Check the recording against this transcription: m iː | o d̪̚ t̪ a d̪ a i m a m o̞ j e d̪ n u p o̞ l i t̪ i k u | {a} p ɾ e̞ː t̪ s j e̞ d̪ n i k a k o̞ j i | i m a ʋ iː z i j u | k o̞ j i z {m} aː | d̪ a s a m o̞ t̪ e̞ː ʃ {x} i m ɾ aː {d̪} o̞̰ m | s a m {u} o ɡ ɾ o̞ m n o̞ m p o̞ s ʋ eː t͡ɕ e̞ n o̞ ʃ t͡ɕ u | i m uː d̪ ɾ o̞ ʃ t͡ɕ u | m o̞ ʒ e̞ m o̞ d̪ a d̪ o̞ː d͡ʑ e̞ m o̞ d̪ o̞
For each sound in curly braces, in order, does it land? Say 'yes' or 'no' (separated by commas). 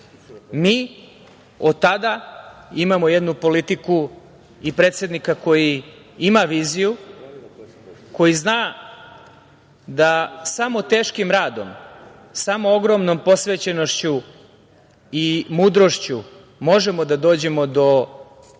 no, no, no, yes, no